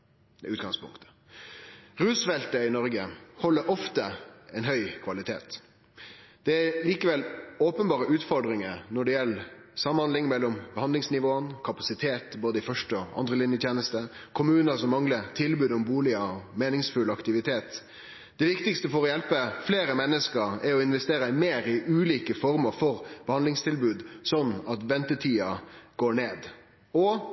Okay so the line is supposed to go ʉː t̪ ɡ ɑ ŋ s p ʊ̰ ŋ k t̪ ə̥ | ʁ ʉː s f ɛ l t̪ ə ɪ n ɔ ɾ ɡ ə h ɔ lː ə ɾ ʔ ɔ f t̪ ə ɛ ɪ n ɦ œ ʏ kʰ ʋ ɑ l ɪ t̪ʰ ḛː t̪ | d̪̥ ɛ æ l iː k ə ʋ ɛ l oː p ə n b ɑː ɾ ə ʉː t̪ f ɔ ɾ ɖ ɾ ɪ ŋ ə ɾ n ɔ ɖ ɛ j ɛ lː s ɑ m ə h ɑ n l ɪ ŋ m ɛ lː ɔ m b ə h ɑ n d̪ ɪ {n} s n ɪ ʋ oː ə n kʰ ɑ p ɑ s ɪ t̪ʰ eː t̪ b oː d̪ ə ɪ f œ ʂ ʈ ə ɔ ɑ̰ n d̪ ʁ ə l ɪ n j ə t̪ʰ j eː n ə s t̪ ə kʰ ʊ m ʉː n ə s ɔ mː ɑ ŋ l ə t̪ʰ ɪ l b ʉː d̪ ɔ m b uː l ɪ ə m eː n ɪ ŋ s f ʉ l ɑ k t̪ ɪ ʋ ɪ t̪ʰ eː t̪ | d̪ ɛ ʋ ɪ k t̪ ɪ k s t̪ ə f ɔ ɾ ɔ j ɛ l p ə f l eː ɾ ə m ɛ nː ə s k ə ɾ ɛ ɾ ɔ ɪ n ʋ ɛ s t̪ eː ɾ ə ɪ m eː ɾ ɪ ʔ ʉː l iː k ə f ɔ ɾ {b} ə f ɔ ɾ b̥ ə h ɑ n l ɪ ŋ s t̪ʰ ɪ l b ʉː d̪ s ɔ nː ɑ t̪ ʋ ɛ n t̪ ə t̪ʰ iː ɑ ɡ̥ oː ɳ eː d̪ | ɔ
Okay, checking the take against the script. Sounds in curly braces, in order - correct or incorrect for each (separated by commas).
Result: incorrect, incorrect